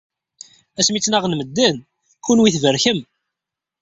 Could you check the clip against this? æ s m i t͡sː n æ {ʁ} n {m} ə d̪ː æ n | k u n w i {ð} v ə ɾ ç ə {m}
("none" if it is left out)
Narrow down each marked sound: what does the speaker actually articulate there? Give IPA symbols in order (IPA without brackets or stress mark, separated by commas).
ʁ, m, θ, m